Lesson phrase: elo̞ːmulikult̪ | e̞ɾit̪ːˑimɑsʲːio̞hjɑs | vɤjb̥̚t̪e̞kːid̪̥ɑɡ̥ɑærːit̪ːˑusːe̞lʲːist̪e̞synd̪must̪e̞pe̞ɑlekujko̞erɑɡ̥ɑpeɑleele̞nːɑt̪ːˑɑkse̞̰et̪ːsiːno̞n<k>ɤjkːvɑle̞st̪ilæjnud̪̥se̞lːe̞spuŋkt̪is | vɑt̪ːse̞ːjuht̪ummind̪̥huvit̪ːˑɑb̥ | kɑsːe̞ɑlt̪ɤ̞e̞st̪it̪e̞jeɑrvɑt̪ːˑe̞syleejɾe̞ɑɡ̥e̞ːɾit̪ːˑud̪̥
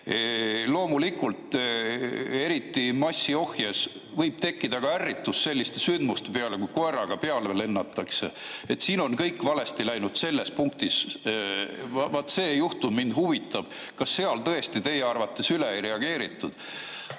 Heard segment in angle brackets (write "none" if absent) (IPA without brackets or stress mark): k